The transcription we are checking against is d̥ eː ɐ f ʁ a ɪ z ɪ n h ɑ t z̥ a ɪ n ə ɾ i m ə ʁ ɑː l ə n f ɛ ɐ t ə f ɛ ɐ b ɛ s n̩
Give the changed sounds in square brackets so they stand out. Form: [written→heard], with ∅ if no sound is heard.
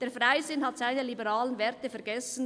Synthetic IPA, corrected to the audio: d̥ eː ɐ f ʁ a ɪ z ɪ n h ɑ t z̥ a ɪ n ə [ɾ→l] i [m→b] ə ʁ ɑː l ə n [f→v] ɛ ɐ t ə f ɛ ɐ [b→ɡ] ɛ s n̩